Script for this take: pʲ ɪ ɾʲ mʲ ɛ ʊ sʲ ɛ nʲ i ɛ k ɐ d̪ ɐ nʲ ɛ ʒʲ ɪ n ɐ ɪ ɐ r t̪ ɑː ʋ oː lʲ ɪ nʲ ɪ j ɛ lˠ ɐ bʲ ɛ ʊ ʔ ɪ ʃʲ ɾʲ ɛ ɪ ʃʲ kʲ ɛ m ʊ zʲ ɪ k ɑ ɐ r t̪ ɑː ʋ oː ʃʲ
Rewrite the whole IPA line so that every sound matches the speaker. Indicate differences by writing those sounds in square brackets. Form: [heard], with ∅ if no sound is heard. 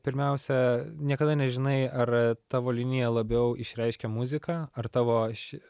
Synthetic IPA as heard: pʲ ɪ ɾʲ mʲ ɛ ʊ sʲ ɛ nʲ i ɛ k ɐ d̪ ɐ nʲ ɛ ʒʲ ɪ n ɐ ɪ ɐ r t̪ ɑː ʋ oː lʲ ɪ nʲ ɪ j ɛ lˠ ɐ bʲ ɛ ʊ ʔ ɪ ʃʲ ɾʲ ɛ ɪ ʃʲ kʲ ɛ m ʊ zʲ ɪ k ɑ ɐ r t̪ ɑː ʋ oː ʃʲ